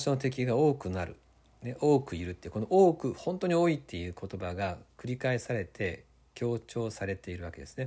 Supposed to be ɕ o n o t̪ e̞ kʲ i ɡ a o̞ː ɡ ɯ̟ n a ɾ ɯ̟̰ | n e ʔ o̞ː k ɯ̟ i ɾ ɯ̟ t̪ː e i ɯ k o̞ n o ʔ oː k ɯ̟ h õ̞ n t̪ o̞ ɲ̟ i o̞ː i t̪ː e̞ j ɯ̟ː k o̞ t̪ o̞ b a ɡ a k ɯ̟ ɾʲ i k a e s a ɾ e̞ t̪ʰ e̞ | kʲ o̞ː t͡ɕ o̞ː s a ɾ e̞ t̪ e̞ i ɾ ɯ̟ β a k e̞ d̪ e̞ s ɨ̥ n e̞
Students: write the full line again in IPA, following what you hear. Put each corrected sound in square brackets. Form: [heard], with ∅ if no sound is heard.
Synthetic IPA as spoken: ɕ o n o t̪ e̞ kʲ i ɡ a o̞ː [k] ɯ̟ n a ɾ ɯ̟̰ | n e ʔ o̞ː k ɯ̟ i ɾ ɯ̟ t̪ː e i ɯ k o̞ n o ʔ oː k ɯ̟ h õ̞ n t̪ o̞ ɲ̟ i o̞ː i t̪ː e̞ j ɯ̟ː k o̞ t̪ o̞ b a ɡ a k ɯ̟ ɾʲ i k a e s a ɾ e̞ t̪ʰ e̞ | kʲ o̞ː t͡ɕ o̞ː s a ɾ e̞ t̪ e̞ i ɾ ɯ̟ β a k e̞ d̪ e̞ s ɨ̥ n e̞